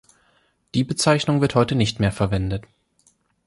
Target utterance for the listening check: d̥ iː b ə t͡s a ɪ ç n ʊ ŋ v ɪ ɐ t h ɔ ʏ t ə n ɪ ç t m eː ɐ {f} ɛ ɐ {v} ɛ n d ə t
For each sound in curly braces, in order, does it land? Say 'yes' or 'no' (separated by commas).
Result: yes, yes